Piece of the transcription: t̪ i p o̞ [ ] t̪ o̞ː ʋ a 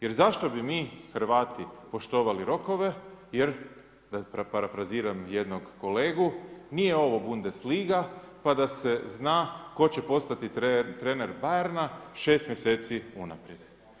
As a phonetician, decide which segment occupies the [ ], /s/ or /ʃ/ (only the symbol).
ʃ